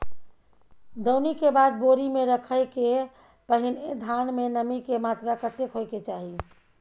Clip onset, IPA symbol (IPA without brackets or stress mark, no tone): d̪